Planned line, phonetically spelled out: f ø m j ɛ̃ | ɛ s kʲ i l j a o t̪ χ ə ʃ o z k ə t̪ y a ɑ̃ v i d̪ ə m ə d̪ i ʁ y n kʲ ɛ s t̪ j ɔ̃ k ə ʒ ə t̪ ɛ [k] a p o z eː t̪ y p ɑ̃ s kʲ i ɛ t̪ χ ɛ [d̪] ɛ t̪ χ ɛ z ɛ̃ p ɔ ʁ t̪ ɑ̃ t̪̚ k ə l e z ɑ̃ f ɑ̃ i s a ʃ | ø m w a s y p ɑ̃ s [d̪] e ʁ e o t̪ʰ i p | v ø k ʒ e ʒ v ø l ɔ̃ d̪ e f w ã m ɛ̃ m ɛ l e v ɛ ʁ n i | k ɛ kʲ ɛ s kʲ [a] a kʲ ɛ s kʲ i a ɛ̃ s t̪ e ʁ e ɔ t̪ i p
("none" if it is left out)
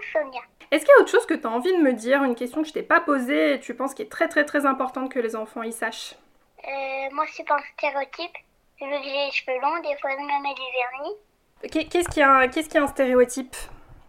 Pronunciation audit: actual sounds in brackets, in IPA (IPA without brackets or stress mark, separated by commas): p, t̪, t̪, i